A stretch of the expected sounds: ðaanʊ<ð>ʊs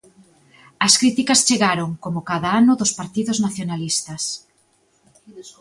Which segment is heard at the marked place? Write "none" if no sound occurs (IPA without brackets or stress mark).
ð